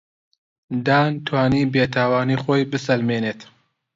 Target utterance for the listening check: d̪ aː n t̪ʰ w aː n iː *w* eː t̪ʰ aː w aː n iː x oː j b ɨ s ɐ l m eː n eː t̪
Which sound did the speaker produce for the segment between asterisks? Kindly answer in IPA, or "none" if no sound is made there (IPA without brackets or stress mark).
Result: b